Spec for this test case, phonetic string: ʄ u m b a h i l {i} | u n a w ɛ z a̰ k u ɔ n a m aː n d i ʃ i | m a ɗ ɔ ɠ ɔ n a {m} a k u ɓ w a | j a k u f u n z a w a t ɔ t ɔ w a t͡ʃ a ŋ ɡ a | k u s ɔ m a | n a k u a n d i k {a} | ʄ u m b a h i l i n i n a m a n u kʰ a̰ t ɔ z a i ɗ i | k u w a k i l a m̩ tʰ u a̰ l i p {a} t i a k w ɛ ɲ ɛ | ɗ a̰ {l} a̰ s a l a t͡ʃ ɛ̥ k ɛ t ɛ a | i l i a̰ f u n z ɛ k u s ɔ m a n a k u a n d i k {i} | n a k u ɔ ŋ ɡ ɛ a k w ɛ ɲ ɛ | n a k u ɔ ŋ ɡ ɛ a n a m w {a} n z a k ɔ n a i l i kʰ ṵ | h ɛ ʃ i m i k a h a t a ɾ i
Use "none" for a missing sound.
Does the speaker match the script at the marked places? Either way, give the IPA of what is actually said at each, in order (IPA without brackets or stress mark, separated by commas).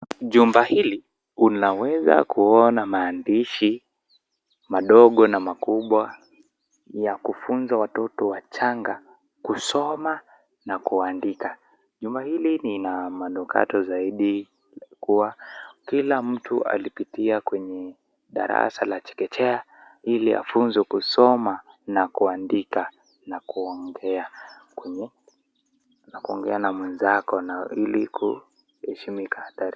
i, m, a, i, ɾ, a, ɛ